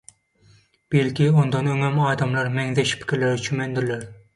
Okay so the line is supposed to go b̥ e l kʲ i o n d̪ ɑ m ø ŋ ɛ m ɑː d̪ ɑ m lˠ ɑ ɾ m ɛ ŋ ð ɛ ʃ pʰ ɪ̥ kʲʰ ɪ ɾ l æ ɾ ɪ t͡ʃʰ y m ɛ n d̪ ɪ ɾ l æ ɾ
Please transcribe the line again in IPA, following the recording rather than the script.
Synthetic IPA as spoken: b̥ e l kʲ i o n d̪ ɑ n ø ŋ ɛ m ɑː d̪ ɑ m lˠ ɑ ɾ m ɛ ŋ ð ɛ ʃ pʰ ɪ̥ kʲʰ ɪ ɾ l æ ɾ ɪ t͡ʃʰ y m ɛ n d̪ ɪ ɾ l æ ɾ